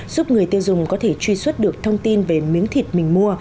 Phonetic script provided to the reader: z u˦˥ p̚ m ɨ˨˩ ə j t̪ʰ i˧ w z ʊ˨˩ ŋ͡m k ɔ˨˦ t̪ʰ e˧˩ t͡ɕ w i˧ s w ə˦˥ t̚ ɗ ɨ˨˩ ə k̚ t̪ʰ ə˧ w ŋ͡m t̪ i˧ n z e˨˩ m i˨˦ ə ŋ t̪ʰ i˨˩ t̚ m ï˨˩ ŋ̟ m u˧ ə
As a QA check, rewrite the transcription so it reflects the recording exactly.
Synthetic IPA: z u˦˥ p̚ ŋ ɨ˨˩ ə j t̪ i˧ w z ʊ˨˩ ŋ͡m k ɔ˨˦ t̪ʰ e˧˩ t͡ɕ w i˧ s w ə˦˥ t̚ ɗ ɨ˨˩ ə k̚ t̪ʰ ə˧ w ŋ͡m t̪ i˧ n v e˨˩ m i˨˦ ə ŋ t̪ʰ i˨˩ t̚ m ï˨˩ ŋ̟ m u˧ ə